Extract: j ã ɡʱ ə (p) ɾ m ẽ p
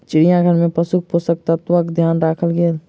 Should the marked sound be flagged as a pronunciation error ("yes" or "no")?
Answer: yes